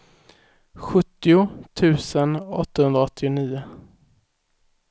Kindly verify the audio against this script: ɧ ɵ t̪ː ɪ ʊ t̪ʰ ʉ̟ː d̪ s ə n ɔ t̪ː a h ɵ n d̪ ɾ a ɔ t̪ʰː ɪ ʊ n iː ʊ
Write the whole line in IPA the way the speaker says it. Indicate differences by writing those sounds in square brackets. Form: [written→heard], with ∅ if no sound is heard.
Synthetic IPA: ɧ ɵ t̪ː ɪ ʊ t̪ʰ ʉ̟ː [d̪→∅] s ə n ɔ t̪ː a h ɵ n d̪ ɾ a ɔ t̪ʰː ɪ ʊ n iː ʊ